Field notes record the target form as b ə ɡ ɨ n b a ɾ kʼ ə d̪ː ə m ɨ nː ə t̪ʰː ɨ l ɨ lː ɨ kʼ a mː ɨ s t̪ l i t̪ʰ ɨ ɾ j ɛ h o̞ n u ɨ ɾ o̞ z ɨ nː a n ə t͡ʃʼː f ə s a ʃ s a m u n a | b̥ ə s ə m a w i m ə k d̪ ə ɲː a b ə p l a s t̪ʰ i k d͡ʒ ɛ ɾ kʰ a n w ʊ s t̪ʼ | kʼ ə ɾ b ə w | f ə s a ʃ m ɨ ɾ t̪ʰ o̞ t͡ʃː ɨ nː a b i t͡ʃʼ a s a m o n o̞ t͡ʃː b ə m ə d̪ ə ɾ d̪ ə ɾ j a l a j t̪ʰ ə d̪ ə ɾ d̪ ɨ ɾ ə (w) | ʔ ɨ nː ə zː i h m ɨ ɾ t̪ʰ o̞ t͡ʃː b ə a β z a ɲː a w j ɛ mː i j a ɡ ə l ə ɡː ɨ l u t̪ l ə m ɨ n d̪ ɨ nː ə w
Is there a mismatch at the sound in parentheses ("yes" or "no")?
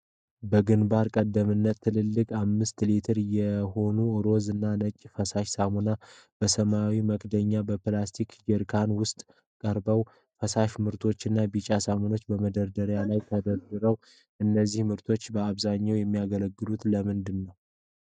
no